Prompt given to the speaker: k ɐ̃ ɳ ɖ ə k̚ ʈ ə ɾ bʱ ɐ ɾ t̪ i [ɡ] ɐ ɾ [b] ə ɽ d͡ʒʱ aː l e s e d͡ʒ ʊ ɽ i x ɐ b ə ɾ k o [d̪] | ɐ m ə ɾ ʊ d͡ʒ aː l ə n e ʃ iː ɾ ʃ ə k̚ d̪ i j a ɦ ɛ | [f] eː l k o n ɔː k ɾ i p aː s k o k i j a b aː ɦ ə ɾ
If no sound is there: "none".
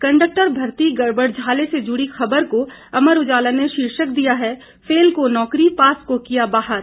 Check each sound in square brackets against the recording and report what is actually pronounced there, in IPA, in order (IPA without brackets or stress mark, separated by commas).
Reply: ɡ, b, none, f